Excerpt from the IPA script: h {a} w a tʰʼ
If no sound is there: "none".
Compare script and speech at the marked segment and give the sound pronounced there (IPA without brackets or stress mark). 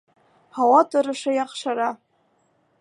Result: a